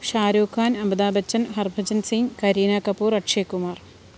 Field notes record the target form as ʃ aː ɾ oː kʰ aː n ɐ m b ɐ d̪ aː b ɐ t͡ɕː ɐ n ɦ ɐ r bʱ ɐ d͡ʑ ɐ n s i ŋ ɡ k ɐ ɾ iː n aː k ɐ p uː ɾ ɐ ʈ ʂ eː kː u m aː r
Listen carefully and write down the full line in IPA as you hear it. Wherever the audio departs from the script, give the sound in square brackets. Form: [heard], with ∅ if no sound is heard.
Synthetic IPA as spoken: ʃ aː ɾ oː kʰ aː n ɐ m b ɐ d̪ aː b ɐ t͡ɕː ɐ n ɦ ɐ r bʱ ɐ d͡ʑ ɐ n s i ŋ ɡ k ɐ ɾ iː n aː k ɐ p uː ɾ ɐ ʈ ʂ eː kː u m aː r